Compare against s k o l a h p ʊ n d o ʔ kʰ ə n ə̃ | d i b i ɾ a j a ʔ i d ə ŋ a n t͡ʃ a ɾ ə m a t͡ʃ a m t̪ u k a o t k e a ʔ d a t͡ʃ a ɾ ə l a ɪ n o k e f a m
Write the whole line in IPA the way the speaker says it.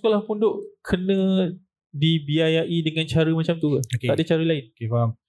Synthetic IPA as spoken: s k o l a h p u n d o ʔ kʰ ə n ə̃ | d i b i a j a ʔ i d ə ŋ a n t͡ʃ a ɾ ə m a t͡ʃ a m t̪ u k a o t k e a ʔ d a t͡ʃ a ɾ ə l a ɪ n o k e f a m